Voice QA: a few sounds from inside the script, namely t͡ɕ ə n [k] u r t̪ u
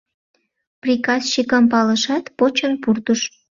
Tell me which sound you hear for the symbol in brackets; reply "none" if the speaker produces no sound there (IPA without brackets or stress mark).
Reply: p